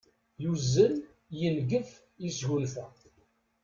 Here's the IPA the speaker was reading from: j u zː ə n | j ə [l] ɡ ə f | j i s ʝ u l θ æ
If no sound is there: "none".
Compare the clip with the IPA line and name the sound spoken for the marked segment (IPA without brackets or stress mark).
l